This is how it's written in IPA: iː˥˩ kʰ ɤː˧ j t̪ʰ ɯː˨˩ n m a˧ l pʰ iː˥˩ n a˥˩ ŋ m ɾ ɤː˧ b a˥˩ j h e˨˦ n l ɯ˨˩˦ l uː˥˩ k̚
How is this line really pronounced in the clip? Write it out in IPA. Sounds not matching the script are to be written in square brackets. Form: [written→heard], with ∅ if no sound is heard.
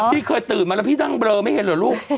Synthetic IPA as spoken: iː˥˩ kʰ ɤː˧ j [t̪ʰ→t̪] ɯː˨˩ n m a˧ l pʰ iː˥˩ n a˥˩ ŋ [m→b] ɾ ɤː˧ [b→m] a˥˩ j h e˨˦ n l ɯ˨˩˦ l uː˥˩ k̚